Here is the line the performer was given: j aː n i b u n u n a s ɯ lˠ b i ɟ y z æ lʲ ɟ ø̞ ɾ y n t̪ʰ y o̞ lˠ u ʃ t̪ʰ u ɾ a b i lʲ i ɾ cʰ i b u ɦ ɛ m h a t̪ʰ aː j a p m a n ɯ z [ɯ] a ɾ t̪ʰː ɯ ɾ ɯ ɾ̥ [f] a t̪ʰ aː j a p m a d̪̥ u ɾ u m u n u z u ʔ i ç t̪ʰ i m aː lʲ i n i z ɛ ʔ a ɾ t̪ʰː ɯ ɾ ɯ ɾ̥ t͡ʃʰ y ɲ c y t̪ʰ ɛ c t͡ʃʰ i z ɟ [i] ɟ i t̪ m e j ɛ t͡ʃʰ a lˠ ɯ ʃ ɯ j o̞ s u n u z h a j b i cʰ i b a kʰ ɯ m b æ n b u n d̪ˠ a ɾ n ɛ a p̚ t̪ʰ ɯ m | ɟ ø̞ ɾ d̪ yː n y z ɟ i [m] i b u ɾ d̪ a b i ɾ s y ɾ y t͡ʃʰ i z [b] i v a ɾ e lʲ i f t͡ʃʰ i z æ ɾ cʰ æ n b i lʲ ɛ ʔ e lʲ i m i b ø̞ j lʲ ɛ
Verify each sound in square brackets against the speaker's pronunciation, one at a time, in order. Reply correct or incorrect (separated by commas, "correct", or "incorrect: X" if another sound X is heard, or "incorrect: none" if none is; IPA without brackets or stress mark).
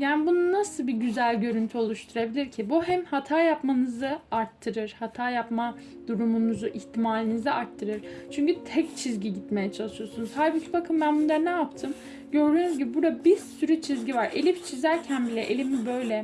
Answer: correct, incorrect: h, correct, incorrect: b, incorrect: ɟ